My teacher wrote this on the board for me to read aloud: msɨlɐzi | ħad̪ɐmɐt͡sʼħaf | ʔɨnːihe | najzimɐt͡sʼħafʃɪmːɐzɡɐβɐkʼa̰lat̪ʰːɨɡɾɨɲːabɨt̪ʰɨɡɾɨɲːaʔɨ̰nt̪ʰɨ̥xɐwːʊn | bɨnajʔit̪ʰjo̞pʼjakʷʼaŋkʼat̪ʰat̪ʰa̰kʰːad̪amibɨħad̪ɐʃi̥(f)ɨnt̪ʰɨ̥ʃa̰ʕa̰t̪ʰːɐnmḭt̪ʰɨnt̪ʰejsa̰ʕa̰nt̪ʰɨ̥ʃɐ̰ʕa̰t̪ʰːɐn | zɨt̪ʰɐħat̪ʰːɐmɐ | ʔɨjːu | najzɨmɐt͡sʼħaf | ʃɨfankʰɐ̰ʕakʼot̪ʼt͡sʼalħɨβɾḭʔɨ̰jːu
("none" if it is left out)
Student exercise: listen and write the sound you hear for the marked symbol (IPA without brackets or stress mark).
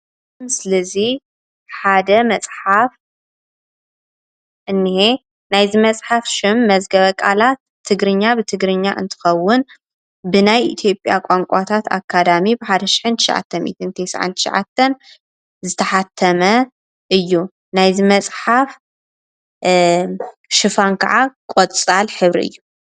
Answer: ħ